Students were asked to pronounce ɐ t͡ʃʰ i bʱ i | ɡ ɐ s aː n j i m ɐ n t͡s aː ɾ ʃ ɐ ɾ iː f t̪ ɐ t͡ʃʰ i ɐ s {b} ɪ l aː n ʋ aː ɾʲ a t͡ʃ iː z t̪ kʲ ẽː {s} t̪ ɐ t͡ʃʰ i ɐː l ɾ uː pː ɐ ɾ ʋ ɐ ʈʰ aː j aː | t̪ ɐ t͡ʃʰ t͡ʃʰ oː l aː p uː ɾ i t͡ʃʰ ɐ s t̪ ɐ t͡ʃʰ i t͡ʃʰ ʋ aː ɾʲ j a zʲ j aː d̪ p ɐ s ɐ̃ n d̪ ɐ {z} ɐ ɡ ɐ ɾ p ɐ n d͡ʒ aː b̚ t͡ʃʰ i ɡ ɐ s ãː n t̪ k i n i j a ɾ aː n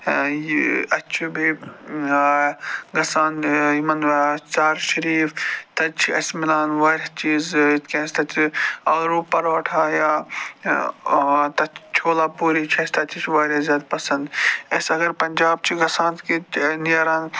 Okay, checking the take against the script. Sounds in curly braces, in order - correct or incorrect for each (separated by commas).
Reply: incorrect, correct, incorrect